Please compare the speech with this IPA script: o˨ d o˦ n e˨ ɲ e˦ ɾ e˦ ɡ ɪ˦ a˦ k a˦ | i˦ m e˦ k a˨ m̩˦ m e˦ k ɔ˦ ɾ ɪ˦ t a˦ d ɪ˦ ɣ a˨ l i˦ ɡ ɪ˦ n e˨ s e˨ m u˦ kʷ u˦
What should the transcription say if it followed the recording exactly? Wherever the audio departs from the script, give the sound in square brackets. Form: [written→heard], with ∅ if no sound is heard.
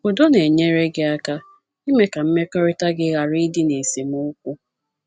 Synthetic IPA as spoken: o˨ d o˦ n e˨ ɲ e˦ ɾ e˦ ɡ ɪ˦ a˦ k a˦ | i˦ m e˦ k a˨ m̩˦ m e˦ k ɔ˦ ɾ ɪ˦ t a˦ [d→ɡ] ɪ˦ ɣ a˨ [l→ɾ] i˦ [ɡ→d] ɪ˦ n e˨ s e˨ m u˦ kʷ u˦